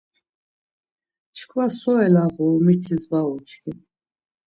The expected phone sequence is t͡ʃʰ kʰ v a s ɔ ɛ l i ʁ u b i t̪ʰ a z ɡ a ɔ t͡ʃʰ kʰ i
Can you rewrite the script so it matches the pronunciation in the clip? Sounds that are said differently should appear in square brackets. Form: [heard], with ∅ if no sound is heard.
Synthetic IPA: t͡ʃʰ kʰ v a s ɔ ɛ l [a] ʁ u [m] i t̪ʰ [i] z [b] a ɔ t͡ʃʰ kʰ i